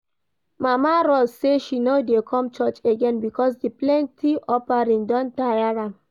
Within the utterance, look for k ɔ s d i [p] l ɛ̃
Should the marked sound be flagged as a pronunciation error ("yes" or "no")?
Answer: no